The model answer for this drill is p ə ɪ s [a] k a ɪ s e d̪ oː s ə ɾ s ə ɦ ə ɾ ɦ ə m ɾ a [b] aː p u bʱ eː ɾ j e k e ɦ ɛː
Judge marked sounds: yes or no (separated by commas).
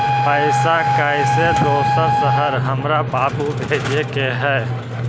yes, yes